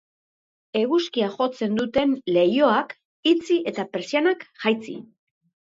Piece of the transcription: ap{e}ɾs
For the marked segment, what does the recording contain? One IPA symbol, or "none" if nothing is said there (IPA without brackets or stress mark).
e